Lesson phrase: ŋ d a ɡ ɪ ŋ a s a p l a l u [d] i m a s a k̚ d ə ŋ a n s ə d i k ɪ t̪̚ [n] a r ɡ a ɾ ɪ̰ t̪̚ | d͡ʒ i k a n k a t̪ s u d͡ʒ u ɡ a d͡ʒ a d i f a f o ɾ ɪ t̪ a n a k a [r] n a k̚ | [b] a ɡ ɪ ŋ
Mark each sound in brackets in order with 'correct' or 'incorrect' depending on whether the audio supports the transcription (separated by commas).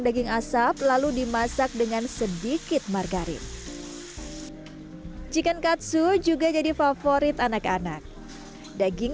correct, incorrect, incorrect, incorrect